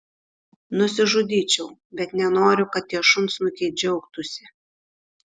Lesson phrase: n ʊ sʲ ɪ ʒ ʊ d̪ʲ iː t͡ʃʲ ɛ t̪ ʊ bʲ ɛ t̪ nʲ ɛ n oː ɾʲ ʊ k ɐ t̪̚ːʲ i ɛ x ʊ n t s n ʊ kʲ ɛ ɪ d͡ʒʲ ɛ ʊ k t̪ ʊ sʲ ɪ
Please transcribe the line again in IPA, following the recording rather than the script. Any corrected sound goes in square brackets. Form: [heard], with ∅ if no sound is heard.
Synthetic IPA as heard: n ʊ sʲ ɪ ʒ ʊ d̪ʲ iː t͡ʃʲ ɛ [∅] ʊ bʲ ɛ t̪ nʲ ɛ n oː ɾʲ ʊ k ɐ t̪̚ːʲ i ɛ [ʃ] ʊ n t s n ʊ kʲ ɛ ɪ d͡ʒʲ ɛ ʊ k t̪ ʊ sʲ ɪ